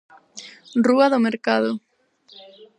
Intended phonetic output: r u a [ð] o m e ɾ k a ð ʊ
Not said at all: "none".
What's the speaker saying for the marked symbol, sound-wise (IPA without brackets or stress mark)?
ð